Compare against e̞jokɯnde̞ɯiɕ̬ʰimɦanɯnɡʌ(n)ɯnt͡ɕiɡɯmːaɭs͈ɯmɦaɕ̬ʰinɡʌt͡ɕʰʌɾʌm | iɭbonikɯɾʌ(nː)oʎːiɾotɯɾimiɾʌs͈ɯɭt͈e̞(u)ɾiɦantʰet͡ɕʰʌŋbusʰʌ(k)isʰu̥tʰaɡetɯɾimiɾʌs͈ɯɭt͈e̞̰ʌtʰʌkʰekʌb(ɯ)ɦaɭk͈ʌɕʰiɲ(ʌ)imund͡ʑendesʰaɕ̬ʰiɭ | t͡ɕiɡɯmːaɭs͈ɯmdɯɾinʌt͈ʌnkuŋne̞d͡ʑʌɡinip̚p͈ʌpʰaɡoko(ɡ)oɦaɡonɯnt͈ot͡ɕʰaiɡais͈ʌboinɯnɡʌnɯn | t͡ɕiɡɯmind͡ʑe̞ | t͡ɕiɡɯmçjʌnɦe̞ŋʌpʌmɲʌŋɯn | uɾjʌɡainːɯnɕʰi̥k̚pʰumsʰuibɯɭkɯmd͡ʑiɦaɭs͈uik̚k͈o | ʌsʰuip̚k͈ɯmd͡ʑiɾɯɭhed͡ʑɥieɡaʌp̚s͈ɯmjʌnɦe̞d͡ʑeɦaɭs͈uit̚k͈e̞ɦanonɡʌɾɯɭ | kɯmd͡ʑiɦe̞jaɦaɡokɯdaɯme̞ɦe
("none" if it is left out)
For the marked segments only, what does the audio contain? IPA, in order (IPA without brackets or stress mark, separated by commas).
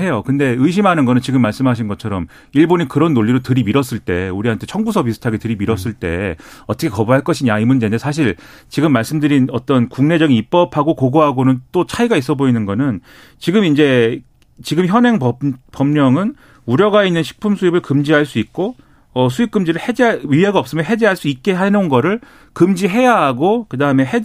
n, nː, u, p, u, a, ɡ